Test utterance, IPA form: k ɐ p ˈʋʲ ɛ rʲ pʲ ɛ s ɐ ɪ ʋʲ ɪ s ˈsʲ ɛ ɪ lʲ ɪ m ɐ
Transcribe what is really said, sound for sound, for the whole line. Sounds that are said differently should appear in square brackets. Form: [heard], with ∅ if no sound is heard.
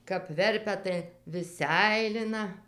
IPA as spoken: k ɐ p ˈʋʲ ɛ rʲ pʲ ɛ [t] ɐ ɪ ʋʲ ɪ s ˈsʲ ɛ ɪ lʲ ɪ [n] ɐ